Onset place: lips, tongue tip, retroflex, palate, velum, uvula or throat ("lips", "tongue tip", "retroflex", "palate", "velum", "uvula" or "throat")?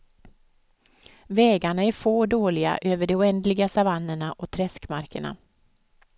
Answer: lips